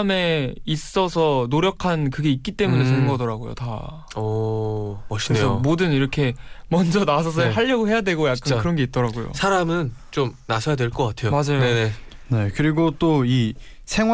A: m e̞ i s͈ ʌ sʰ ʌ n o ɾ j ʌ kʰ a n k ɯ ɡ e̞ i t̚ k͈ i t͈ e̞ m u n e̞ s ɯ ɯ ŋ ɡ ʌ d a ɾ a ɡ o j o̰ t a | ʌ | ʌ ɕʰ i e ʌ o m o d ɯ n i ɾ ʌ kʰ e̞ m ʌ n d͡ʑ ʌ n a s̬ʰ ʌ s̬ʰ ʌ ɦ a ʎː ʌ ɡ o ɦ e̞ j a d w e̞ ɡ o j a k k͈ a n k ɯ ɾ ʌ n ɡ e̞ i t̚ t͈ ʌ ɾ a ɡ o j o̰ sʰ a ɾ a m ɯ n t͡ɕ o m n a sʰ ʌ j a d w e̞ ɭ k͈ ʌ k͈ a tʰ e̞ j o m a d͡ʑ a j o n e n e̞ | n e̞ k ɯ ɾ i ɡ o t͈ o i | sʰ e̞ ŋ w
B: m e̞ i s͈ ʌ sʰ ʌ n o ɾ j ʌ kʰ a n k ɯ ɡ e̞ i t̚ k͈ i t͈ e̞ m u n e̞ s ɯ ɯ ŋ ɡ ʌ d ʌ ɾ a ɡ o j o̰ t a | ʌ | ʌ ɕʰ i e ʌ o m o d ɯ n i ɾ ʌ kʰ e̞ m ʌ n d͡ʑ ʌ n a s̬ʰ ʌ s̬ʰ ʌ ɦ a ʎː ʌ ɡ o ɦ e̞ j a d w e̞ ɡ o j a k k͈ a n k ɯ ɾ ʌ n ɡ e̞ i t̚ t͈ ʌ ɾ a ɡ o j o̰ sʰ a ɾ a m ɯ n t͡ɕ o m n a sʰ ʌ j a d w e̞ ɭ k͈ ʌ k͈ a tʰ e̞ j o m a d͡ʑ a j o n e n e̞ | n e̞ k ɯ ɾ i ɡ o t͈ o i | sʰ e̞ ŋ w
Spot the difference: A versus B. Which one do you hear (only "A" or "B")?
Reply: B